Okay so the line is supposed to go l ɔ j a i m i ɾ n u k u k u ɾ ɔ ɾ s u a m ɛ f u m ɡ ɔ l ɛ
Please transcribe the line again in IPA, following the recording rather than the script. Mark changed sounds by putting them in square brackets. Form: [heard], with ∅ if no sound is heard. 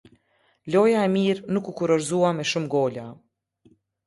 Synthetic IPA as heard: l ɔ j a [ɛ] m i ɾ n u k u k u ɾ ɔ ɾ [z] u a m ɛ [ʃ] u m ɡ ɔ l [a]